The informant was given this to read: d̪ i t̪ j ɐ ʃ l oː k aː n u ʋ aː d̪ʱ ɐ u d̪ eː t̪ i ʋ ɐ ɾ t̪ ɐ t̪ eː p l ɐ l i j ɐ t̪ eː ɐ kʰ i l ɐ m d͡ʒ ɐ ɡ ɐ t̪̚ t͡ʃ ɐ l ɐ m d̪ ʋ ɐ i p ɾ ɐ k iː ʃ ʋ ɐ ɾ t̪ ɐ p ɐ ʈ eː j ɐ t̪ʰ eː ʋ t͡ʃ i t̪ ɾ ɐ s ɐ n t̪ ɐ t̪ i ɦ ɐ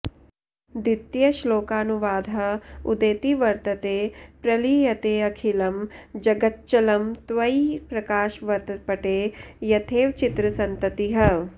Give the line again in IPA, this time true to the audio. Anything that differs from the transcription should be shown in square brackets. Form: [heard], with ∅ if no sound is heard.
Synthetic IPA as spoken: d̪ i t̪ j ɐ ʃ l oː k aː n u ʋ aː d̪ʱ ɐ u d̪ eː t̪ i ʋ ɐ ɾ t̪ ɐ t̪ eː p [ɾ] ɐ l i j ɐ t̪ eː ɐ kʰ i l ɐ m d͡ʒ ɐ ɡ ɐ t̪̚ t͡ʃ ɐ l ɐ m [t̪] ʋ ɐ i p ɾ ɐ k [aː] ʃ ʋ ɐ ɾ t̪ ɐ p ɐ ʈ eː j ɐ t̪ʰ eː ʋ t͡ʃ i t̪ ɾ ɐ s ɐ n t̪ ɐ t̪ i ɦ ɐ